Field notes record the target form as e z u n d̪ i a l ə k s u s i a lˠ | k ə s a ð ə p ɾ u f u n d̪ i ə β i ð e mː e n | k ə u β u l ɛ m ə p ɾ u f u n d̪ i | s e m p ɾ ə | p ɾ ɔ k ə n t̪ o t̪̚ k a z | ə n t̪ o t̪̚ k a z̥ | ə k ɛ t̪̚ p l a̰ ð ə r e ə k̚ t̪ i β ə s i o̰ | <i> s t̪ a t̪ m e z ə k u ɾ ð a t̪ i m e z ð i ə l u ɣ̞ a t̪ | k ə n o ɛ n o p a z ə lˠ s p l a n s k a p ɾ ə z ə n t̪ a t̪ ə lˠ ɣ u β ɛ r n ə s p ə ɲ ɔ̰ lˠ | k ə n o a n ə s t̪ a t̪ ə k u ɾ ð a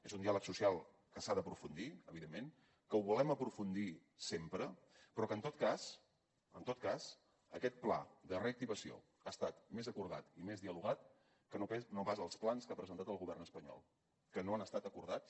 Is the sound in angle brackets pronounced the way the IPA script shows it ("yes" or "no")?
no